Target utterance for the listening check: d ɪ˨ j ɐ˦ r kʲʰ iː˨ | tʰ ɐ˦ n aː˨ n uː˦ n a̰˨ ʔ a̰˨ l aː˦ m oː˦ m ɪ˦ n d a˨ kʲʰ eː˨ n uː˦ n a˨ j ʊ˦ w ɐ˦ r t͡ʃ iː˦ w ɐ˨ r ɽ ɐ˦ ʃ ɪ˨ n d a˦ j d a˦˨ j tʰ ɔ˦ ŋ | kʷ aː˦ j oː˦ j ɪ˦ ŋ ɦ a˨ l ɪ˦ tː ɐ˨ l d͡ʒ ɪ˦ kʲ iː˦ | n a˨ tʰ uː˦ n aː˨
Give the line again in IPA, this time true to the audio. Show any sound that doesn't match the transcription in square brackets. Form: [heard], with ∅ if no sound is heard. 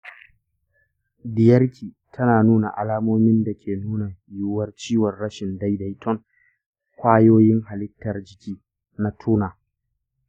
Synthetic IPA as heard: d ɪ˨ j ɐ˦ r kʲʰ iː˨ | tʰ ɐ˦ n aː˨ n uː˦ n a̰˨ ʔ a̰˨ l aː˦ m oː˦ m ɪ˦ n d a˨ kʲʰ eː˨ n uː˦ n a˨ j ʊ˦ w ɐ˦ r t͡ʃ iː˦ w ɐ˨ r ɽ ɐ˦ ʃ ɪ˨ n d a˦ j d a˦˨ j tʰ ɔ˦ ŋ | kʷ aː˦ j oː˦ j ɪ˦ ŋ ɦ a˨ l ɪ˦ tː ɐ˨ [r] d͡ʒ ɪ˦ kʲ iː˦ | n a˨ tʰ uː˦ n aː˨